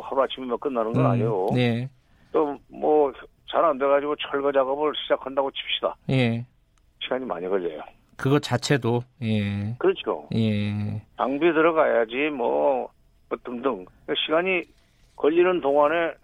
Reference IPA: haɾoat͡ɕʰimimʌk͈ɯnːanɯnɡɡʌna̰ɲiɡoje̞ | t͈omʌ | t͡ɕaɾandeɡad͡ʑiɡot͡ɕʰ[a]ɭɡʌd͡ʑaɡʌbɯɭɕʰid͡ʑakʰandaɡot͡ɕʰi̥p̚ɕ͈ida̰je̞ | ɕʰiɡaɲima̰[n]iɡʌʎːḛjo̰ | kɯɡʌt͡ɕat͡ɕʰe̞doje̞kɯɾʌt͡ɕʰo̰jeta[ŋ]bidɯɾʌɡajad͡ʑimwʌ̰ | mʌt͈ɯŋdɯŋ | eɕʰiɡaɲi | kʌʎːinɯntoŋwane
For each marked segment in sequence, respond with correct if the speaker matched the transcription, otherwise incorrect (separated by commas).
incorrect, incorrect, correct